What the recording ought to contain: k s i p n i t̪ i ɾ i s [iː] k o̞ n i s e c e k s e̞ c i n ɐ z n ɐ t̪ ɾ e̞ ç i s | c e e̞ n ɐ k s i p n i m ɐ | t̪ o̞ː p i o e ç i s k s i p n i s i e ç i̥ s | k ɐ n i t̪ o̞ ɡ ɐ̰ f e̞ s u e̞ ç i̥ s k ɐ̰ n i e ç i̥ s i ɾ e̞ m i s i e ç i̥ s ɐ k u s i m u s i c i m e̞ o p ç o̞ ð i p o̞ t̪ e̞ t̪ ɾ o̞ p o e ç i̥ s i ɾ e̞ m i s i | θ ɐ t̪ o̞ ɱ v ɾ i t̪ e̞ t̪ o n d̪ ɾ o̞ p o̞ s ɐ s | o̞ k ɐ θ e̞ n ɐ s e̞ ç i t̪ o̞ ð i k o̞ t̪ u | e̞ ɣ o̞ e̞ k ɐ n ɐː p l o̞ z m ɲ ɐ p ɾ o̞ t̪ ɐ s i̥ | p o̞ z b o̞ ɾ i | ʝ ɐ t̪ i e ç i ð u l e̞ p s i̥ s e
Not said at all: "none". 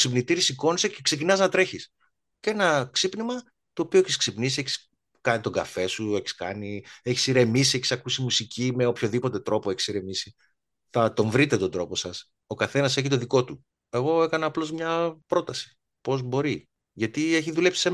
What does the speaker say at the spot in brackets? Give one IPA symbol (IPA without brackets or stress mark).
i